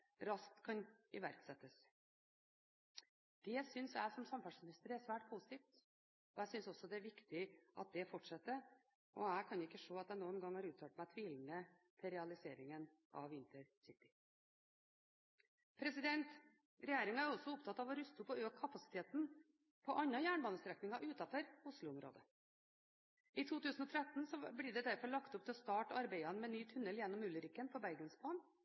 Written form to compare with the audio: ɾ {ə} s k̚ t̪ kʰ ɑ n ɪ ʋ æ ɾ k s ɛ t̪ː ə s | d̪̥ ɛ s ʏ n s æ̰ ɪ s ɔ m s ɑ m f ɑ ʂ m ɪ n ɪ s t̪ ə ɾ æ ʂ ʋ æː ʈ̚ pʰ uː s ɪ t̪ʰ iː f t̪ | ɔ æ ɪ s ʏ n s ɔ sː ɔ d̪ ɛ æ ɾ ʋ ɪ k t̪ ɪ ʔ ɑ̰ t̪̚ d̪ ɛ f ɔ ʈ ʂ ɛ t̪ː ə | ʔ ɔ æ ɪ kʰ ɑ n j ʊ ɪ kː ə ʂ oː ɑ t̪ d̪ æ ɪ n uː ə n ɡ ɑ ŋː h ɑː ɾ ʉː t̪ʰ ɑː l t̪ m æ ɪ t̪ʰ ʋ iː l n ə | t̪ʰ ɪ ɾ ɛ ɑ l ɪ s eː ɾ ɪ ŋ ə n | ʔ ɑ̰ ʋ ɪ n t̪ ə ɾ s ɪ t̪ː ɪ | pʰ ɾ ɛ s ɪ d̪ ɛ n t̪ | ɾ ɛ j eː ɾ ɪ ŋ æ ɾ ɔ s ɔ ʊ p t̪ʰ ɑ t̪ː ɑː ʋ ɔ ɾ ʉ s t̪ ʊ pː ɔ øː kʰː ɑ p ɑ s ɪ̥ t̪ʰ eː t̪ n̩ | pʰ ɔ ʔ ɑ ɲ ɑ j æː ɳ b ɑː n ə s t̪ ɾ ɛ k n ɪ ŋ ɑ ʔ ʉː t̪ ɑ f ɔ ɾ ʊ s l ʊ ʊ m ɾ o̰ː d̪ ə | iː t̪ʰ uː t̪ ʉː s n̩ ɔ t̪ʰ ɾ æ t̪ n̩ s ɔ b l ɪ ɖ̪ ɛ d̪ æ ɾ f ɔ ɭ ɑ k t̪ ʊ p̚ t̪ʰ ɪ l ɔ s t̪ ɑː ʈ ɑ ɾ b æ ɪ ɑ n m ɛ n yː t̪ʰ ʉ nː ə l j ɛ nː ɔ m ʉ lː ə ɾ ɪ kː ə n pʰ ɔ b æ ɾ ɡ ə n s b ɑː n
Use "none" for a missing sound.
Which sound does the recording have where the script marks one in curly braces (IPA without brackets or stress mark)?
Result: ɑ